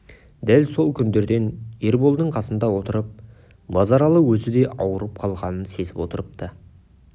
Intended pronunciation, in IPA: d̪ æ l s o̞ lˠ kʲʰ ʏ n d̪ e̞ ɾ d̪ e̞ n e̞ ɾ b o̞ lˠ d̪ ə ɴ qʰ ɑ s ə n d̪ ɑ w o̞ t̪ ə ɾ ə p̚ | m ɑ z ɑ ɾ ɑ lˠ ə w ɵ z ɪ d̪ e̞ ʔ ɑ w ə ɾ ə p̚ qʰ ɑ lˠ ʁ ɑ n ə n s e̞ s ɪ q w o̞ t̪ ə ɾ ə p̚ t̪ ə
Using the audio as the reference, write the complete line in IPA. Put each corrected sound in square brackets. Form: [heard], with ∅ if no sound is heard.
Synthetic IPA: d̪ æ l s o̞ lˠ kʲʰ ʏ n d̪ e̞ ɾ d̪ e̞ n e̞ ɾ b o̞ lˠ d̪ ə ɴ qʰ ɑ s ə n d̪ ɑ w o̞ t̪ ə ɾ ə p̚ | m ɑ z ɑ ɾ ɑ lˠ ə w ɵ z ɪ d̪ e̞ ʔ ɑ w ə ɾ ə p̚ qʰ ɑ lˠ ʁ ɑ n ə n s e̞ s ɪ [p] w o̞ t̪ ə ɾ ə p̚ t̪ ə

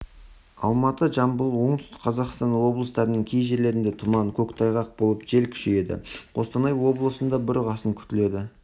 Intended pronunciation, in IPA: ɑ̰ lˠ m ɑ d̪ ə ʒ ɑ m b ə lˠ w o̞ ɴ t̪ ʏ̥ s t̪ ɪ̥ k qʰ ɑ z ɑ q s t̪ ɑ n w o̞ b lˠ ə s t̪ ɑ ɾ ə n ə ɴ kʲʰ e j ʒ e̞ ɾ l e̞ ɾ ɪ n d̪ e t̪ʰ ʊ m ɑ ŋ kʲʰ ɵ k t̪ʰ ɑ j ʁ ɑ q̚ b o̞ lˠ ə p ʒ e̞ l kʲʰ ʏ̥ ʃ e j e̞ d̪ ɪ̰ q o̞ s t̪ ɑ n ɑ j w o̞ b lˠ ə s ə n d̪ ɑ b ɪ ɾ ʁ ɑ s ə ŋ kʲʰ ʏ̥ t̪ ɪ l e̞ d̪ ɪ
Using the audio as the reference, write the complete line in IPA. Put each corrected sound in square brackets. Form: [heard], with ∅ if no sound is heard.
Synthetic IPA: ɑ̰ lˠ m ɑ [t̪] ə ʒ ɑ m b ə lˠ w o̞ ɴ t̪ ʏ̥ s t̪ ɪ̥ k qʰ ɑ z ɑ q s t̪ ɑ n w o̞ b lˠ ə s t̪ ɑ ɾ ə n ə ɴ kʲʰ e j ʒ e̞ ɾ l e̞ ɾ ɪ n d̪ e t̪ʰ ʊ m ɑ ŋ kʲʰ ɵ k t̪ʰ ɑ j ʁ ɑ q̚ b o̞ lˠ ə p ʒ e̞ l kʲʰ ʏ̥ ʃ e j e̞ d̪ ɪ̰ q o̞ s t̪ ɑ n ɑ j w o̞ b lˠ ə s ə n d̪ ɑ b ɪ ɾ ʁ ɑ s ə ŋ kʲʰ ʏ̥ t̪ ɪ l e̞ d̪ ɪ

